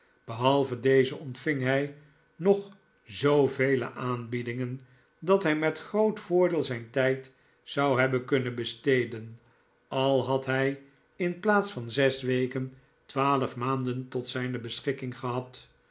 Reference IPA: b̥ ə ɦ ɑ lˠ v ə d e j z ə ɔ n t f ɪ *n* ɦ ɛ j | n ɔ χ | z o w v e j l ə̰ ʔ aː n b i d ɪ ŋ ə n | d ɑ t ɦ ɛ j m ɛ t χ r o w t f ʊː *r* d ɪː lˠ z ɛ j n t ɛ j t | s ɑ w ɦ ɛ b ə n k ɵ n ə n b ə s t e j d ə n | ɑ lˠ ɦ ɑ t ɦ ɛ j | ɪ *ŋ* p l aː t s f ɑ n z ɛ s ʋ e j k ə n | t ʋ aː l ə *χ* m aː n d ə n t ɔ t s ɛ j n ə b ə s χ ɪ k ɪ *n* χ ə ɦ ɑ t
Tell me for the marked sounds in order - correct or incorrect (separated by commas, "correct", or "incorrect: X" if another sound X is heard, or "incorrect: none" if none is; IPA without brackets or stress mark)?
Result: incorrect: ŋ, incorrect: ɹ, incorrect: n, incorrect: f, incorrect: ŋ